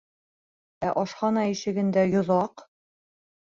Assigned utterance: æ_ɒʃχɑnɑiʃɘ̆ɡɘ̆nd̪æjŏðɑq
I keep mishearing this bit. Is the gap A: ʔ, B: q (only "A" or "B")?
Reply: A